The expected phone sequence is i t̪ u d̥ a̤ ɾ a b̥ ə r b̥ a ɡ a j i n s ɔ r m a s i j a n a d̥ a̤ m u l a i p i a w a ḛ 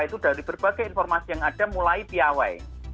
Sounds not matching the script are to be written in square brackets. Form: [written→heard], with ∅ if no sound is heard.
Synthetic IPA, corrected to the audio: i t̪ u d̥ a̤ ɾ [a→i] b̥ ə r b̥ a ɡ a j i n [s→f] ɔ r m a s i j a [n→ŋ] a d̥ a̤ m u l a i p i a w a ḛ